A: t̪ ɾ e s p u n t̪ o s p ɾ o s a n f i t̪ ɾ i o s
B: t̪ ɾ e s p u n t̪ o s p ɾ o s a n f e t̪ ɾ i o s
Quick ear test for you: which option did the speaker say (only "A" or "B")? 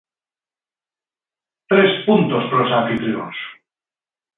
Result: A